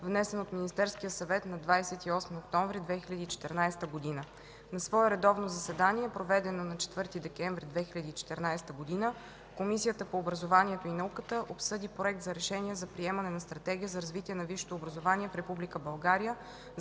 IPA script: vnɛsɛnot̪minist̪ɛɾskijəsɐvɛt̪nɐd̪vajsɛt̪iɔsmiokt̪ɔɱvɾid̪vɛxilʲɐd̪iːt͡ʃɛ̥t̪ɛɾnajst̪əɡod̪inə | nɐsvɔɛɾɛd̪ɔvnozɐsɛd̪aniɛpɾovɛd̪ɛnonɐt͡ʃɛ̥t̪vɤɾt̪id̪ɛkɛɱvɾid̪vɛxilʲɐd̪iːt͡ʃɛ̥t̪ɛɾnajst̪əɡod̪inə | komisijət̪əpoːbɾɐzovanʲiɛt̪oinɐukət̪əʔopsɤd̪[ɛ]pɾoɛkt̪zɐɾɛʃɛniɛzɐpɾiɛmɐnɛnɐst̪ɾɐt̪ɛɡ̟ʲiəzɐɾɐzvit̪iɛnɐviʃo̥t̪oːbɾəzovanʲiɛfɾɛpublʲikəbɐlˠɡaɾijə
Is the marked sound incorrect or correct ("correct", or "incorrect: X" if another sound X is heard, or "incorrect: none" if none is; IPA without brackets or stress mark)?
incorrect: i